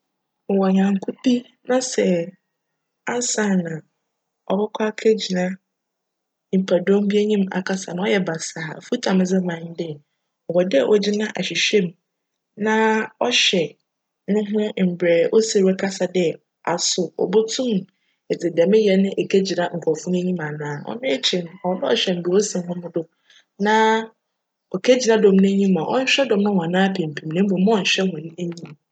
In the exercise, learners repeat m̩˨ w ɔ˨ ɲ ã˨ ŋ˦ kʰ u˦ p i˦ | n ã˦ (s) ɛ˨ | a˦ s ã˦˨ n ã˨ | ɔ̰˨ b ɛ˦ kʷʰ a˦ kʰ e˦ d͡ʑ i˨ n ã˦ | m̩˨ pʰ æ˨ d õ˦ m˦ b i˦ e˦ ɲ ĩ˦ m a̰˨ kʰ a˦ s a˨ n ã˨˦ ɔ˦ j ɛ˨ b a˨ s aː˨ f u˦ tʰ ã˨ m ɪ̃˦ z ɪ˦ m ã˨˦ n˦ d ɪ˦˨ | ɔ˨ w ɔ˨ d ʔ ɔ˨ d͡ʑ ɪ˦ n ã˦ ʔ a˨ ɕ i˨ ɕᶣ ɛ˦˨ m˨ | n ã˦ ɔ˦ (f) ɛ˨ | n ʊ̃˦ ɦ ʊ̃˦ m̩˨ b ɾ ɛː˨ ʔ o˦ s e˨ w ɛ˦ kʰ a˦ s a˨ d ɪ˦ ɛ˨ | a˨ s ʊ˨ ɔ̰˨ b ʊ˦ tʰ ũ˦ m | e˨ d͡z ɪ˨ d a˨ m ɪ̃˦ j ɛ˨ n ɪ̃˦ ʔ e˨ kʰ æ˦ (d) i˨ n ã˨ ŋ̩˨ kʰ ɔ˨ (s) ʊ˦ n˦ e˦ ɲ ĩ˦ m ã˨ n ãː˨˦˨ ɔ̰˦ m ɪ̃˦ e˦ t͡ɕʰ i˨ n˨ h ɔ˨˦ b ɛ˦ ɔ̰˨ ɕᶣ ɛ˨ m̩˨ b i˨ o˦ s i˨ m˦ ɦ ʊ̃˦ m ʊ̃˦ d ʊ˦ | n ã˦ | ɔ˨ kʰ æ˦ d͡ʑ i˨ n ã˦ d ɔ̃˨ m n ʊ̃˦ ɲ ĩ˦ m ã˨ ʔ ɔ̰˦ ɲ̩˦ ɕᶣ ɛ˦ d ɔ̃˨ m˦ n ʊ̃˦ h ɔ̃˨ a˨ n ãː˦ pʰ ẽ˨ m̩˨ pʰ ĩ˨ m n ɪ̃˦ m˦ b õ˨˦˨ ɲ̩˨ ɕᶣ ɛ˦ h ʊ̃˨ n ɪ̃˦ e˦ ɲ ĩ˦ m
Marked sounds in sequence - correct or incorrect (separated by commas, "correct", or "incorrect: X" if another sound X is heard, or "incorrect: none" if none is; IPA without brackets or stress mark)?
correct, incorrect: ɕ, incorrect: d͡ʑ, incorrect: f